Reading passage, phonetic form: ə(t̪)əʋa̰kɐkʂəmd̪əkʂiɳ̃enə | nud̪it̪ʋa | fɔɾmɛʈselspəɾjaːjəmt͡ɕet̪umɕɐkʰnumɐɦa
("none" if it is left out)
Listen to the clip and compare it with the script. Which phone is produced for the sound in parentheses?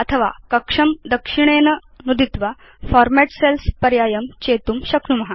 t̪ʰ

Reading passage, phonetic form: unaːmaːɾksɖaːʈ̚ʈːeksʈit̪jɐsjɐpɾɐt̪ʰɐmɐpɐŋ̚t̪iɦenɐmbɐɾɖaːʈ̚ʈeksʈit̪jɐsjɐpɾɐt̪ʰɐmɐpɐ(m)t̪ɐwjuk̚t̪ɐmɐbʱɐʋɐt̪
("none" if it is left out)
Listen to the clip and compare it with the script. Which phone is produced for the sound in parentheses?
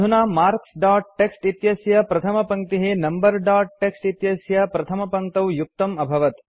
ŋ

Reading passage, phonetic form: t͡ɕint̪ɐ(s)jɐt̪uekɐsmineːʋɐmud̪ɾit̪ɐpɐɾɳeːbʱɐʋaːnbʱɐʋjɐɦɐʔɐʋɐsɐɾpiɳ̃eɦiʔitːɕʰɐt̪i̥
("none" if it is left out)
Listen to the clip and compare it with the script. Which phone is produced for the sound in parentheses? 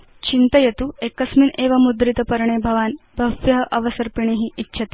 none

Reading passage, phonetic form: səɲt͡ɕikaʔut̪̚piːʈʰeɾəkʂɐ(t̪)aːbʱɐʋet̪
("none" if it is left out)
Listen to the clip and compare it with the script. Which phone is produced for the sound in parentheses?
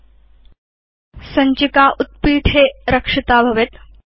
t̪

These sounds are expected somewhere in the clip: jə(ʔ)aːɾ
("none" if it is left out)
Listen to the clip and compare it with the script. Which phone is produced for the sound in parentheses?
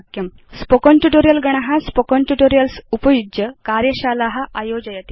k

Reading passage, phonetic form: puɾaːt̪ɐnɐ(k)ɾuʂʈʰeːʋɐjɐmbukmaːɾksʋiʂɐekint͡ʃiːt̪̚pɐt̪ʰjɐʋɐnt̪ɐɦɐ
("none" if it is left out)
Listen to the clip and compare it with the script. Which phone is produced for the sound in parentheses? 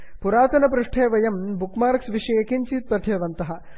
p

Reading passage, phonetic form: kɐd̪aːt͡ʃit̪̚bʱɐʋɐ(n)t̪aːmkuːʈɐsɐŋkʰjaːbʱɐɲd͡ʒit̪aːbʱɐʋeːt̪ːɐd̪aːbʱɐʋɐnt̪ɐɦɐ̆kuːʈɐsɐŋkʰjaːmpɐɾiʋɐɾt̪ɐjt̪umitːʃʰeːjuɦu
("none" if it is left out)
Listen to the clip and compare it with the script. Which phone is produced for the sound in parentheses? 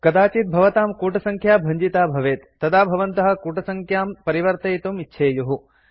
none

